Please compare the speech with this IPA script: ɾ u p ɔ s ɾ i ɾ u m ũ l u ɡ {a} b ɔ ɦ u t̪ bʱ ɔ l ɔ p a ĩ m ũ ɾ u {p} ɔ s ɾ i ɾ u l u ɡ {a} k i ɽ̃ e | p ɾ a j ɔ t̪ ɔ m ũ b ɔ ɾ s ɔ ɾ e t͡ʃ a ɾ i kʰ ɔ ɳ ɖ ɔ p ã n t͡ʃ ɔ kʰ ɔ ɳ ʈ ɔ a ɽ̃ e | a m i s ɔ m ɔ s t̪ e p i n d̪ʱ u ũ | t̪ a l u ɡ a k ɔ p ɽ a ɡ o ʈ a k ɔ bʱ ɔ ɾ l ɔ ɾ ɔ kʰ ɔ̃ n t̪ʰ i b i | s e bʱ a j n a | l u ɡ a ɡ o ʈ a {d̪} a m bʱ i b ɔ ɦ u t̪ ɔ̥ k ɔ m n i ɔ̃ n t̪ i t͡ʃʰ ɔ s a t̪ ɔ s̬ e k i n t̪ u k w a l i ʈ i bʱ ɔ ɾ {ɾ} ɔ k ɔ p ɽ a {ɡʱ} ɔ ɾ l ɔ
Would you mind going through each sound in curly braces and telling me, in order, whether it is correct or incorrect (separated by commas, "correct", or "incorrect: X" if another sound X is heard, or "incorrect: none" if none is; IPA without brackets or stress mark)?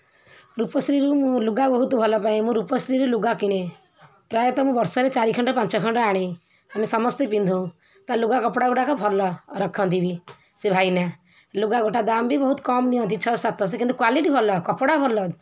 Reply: correct, correct, correct, correct, incorrect: l, incorrect: bʱ